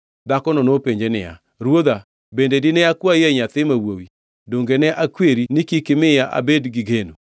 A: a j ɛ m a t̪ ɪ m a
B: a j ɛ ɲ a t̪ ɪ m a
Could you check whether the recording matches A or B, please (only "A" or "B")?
B